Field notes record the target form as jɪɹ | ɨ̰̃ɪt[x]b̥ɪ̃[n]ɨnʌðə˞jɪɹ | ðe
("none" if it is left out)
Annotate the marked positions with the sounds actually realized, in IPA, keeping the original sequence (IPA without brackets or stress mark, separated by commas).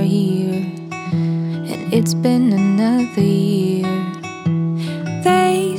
s, n